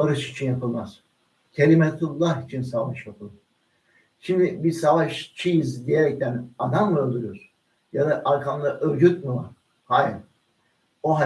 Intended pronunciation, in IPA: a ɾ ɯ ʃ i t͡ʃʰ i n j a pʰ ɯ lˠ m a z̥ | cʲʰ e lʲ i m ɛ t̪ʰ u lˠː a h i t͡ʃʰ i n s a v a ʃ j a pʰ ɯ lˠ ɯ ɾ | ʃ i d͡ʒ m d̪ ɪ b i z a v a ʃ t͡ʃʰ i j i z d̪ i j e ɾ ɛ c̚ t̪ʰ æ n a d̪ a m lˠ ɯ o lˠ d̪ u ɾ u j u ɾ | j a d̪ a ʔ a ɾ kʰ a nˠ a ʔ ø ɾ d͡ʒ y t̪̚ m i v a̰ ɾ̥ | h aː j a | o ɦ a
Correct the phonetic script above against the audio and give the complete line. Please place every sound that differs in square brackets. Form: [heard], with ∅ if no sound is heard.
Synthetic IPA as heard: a ɾ ɯ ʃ i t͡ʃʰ i n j a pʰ ɯ lˠ m a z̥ | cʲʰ e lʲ i m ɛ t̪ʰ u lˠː a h i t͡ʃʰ i n s a v a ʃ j a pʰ ɯ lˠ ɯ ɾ | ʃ i [∅] m d̪ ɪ b i [s] a v a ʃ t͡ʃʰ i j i z d̪ i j e ɾ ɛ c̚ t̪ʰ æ n a d̪ a m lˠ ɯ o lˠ d̪ u ɾ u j [o] ɾ | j a d̪ a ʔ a ɾ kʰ a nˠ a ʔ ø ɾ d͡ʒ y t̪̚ m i v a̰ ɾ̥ | h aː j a | o ɦ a

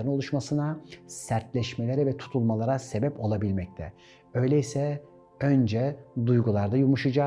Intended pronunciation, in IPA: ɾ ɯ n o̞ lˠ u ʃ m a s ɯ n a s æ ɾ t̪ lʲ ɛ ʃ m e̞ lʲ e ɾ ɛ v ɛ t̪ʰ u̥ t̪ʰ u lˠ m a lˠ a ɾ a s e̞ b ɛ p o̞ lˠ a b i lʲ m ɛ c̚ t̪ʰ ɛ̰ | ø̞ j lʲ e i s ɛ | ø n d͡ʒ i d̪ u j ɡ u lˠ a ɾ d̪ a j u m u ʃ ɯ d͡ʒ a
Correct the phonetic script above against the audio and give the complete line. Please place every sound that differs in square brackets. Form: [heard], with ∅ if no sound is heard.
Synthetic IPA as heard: ɾ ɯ n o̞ lˠ u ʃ m a s ɯ n a s æ ɾ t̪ lʲ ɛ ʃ m e̞ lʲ e ɾ ɛ v ɛ t̪ʰ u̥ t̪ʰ u lˠ m a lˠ a ɾ a s e̞ b ɛ p o̞ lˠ a b i lʲ m ɛ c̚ t̪ʰ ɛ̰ | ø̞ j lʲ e i s ɛ | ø n d͡ʒ [ɛ] d̪ u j ɡ u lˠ a ɾ d̪ a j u m u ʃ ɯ d͡ʒ a

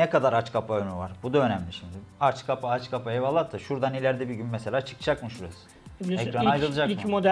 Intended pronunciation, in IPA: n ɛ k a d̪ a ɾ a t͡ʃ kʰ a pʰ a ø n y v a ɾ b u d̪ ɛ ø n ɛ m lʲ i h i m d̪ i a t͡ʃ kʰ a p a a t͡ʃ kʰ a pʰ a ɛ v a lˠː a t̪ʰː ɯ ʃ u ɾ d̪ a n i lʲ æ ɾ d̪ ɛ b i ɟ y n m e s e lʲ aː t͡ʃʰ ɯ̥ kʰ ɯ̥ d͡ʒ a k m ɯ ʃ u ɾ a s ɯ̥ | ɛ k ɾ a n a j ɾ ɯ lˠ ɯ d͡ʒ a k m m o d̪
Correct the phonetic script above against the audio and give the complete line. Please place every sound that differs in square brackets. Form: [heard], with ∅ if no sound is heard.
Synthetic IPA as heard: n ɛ k a d̪ a ɾ a t͡ʃ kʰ a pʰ a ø n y v a ɾ b u d̪ [a] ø n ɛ m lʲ i [ʃ] i m d̪ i a t͡ʃ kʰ a p a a t͡ʃ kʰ a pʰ a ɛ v a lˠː a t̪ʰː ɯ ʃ u ɾ d̪ a n i lʲ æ ɾ d̪ ɛ b i ɟ y n m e s e lʲ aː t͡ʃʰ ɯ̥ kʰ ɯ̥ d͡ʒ a k m ɯ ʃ u ɾ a s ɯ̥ | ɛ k ɾ a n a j ɾ ɯ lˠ ɯ d͡ʒ a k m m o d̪

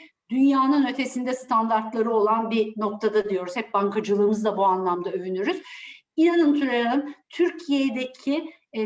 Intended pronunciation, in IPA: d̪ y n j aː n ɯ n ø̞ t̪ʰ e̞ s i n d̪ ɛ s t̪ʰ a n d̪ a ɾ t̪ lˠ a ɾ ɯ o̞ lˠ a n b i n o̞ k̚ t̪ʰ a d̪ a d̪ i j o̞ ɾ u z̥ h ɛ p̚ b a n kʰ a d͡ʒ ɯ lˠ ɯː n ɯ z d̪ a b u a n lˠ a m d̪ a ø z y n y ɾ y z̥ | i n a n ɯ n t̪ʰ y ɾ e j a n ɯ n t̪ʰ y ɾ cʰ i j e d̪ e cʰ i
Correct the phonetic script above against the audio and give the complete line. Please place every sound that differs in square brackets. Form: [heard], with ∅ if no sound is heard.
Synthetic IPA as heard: d̪ y n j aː n ɯ n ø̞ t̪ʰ e̞ s i n d̪ ɛ s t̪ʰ a n d̪ a ɾ t̪ lˠ a ɾ ɯ o̞ lˠ a n b i n o̞ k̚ t̪ʰ a d̪ a d̪ i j o̞ ɾ u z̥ h ɛ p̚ b a [ŋ] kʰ a d͡ʒ ɯ lˠ ɯː [m] ɯ z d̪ a b u a n lˠ a m d̪ a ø [v] y n y ɾ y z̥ | i n a n ɯ n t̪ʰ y ɾ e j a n ɯ n t̪ʰ y ɾ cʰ i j e d̪ e cʰ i

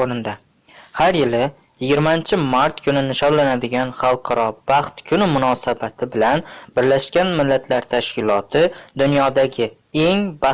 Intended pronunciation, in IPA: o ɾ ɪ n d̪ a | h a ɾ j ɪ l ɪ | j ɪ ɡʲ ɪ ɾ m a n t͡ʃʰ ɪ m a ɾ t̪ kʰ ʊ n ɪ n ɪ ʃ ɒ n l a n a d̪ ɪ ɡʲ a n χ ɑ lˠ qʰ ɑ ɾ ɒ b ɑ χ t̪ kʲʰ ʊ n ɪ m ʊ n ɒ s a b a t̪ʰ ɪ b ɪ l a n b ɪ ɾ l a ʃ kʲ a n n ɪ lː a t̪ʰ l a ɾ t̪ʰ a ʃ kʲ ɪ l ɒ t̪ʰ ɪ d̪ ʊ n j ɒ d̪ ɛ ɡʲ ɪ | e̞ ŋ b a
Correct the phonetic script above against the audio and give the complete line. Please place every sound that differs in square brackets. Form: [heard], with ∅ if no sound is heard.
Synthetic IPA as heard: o ɾ ɪ n d̪ a | h a ɾ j ɪ l ɪ | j ɪ ɡʲ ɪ ɾ m a n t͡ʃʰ ɪ m a ɾ t̪ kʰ ʊ n ɪ n ɪ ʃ ɒ n l a n a d̪ ɪ ɡʲ a n χ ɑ lˠ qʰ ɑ ɾ ɒ b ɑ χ t̪ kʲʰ ʊ n ɪ m ʊ n ɒ s a b a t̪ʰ ɪ b ɪ l a n b ɪ ɾ l a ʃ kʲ a n [m] ɪ lː a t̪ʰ l a ɾ t̪ʰ a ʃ kʲ ɪ l ɒ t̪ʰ ɪ d̪ ʊ n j ɒ d̪ [a] ɡʲ ɪ | e̞ ŋ b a

